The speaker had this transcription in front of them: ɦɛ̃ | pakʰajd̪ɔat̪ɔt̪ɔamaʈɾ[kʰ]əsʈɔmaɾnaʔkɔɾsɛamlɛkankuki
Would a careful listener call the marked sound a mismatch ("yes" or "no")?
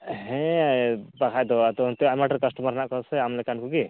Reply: yes